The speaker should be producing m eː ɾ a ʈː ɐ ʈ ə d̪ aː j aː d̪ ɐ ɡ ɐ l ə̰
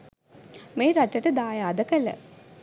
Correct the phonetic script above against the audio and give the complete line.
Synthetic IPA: m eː ɾ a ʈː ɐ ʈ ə d̪ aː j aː d̪ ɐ k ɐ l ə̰